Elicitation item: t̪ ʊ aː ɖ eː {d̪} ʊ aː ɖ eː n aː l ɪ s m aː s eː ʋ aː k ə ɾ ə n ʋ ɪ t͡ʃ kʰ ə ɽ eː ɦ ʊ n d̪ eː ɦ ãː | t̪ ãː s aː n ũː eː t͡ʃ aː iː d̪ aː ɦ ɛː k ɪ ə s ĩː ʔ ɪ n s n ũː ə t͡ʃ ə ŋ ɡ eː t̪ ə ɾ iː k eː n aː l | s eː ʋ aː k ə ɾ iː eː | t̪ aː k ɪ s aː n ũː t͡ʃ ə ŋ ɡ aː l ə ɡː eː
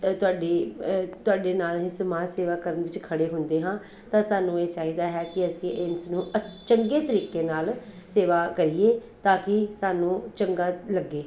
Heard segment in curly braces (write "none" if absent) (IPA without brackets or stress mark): t̪